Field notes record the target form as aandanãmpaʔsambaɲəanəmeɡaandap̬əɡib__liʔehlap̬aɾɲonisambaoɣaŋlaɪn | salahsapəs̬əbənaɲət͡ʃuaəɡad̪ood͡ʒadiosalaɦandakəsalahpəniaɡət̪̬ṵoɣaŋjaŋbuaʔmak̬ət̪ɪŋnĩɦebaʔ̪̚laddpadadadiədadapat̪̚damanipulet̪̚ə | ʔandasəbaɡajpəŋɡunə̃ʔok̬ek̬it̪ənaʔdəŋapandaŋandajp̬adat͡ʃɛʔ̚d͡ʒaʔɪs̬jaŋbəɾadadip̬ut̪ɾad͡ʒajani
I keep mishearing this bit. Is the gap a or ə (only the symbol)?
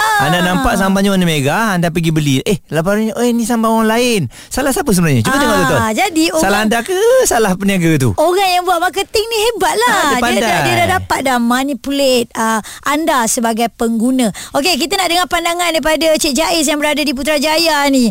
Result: ə